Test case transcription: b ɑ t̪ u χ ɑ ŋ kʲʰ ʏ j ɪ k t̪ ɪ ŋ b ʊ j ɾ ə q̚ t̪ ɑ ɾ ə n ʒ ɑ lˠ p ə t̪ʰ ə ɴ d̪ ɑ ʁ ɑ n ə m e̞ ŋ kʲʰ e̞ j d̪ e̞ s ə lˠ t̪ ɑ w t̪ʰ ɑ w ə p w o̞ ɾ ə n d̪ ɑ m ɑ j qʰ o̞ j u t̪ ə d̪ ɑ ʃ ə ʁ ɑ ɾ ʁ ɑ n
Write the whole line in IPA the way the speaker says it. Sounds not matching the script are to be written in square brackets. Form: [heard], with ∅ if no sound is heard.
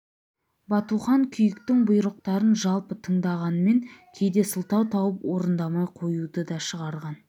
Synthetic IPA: b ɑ t̪ u χ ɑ ŋ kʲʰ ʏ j ɪ k t̪ ɪ ŋ b ʊ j ɾ ə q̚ t̪ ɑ ɾ ə n ʒ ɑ lˠ p ə t̪ʰ ə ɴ d̪ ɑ ʁ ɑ n ə m e̞ ŋ kʲʰ e̞ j d̪ e̞ s ə lˠ t̪ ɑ w t̪ʰ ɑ w ə p w o̞ ɾ ə n d̪ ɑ m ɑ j qʰ o̞ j u [d̪] ə d̪ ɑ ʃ ə ʁ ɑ ɾ ʁ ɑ n

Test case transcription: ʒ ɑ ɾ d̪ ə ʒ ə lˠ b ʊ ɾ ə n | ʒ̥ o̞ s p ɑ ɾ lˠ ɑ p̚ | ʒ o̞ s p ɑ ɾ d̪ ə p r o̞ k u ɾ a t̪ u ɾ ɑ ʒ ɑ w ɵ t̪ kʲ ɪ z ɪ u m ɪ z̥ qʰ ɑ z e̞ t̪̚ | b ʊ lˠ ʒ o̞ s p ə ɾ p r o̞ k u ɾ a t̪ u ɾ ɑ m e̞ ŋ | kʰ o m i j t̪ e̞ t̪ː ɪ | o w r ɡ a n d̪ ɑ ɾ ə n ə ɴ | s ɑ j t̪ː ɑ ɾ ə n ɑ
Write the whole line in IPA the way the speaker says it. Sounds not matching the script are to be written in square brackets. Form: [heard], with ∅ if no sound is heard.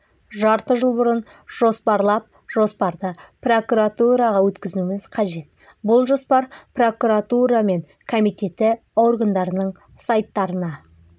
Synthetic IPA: ʒ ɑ ɾ [t̪] ə ʒ ə lˠ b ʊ ɾ ə n | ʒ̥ o̞ s p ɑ ɾ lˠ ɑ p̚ | ʒ o̞ s p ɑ ɾ d̪ ə p r o̞ k u ɾ a t̪ u ɾ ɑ [ʁ] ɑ w ɵ t̪ kʲ ɪ z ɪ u m ɪ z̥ qʰ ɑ [ʒ] e̞ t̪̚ | b ʊ lˠ ʒ o̞ s p [ɑ] ɾ p r o̞ k u ɾ a t̪ u ɾ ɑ m e̞ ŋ | kʰ o m i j t̪ e̞ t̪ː ɪ | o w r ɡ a n d̪ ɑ ɾ ə n ə ɴ | s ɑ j t̪ː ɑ ɾ ə n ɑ

